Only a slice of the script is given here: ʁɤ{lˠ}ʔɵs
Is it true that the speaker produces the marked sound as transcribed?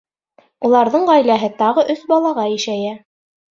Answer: no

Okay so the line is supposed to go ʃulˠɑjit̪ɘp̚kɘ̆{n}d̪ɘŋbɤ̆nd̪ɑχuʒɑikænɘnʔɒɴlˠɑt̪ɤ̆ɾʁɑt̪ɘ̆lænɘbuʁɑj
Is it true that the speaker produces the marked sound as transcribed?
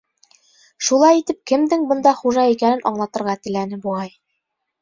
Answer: no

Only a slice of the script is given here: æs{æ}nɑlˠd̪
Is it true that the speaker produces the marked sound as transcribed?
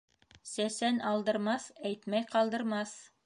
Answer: yes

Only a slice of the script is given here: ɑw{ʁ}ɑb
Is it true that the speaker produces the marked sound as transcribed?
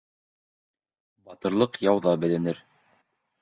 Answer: no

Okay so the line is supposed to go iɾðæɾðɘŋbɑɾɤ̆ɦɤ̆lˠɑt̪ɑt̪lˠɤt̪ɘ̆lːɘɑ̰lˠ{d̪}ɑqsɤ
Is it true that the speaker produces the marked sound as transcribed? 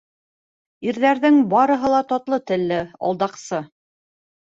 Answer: yes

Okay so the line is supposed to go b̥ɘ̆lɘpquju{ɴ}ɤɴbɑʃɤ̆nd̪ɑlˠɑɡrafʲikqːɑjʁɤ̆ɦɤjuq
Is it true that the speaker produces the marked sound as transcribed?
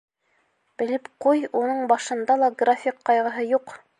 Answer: no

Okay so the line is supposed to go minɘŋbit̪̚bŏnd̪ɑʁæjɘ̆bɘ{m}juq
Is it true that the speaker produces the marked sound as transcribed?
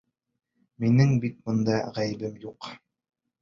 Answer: yes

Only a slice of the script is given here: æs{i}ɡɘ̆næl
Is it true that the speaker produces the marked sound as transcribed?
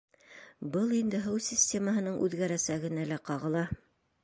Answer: no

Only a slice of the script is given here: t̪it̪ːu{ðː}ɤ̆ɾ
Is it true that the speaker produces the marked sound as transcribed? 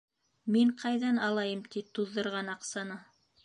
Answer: yes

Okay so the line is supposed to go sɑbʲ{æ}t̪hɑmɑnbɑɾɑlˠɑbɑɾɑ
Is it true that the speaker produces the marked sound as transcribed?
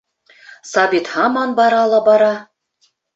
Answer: no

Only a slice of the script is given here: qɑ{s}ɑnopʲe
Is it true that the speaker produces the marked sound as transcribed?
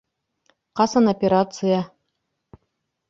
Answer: yes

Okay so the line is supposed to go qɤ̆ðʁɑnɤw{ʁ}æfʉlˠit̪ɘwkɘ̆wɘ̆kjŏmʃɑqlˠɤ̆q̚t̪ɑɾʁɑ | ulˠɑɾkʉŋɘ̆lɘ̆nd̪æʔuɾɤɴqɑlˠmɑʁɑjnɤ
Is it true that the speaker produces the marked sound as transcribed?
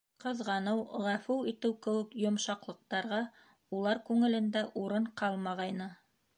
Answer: yes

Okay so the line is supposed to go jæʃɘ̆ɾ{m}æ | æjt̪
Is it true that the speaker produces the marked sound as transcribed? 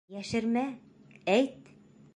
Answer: yes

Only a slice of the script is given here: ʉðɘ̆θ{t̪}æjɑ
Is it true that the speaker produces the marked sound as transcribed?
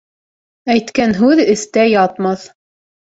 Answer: yes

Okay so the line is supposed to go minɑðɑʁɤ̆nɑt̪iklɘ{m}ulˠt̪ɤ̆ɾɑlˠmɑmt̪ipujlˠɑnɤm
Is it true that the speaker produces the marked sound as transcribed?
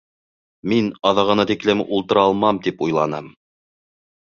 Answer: yes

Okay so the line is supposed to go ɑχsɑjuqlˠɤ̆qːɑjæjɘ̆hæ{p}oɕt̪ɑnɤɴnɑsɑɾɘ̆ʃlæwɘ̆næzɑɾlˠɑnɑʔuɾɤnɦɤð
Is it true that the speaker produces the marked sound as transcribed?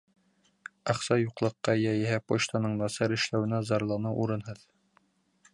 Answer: yes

